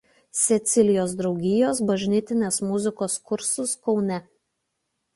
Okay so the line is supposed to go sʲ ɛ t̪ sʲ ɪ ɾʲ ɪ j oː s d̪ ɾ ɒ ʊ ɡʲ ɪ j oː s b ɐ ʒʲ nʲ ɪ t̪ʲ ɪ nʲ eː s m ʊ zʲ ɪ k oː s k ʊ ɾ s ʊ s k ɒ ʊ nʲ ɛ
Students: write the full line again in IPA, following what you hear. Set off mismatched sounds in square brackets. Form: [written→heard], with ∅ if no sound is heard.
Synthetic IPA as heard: sʲ ɛ t̪ sʲ ɪ [ɾʲ→lʲ] ɪ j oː s d̪ ɾ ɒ ʊ ɡʲ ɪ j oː s b ɐ ʒʲ nʲ ɪ t̪ʲ ɪ nʲ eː s m ʊ zʲ ɪ k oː s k ʊ ɾ s ʊ s k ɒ ʊ nʲ ɛ